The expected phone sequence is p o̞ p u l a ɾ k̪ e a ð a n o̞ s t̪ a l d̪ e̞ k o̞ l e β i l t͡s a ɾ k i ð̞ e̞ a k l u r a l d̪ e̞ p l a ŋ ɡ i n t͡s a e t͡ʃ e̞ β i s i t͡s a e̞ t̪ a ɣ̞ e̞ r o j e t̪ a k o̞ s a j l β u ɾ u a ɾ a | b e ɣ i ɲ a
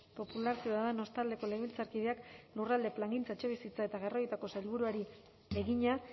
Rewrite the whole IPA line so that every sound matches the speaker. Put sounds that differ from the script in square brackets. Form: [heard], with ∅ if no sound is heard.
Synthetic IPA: p o̞ p u l a ɾ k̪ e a ð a n o̞ s t̪ a l d̪ e̞ k o̞ l e β i l t͡s a ɾ k i ð̞ e̞ a k l u r a l d̪ e̞ p l a ŋ ɡ i n t͡s a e t͡ʃ e̞ β i s i t͡s a e̞ t̪ a ɣ̞ e̞ r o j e t̪ a k o̞ s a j l β u ɾ u a ɾ [i] | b e ɣ i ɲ a